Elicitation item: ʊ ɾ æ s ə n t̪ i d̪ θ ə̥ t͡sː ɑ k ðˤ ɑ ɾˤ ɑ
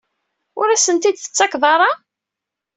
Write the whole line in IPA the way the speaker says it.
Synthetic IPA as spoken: ʊ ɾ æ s ə n t̪ i d̪ θ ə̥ t͡sː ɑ k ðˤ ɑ ɾˤ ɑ